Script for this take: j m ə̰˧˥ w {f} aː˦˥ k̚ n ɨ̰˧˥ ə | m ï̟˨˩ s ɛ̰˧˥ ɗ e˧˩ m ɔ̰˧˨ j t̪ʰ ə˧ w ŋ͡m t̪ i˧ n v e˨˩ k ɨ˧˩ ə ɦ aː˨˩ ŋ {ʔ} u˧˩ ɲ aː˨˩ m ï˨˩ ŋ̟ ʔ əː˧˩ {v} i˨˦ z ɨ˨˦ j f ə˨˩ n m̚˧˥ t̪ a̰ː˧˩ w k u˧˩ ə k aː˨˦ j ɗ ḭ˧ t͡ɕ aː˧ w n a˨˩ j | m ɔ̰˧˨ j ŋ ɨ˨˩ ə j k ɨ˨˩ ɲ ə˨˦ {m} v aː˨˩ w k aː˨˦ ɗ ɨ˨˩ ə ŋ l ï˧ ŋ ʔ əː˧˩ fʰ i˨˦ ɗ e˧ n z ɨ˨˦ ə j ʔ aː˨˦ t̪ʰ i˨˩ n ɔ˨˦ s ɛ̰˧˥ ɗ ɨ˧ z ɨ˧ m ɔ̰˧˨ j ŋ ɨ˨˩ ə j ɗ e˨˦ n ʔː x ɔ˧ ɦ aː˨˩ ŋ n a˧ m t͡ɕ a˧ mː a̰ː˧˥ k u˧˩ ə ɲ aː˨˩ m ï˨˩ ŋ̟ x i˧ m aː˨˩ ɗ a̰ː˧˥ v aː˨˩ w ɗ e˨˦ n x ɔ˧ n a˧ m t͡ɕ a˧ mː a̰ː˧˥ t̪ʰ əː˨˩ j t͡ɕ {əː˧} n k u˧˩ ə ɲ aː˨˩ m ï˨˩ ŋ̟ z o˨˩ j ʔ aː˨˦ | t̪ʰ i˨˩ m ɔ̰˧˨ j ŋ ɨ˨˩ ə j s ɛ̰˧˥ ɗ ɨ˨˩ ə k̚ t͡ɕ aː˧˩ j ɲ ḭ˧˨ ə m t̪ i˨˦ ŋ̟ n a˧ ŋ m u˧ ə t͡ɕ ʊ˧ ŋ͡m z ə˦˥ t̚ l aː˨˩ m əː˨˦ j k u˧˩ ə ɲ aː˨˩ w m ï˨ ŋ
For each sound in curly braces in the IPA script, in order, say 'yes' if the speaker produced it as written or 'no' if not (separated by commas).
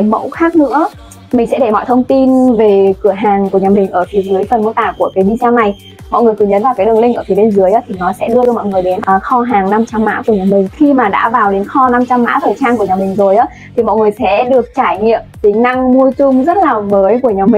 no, no, no, no, no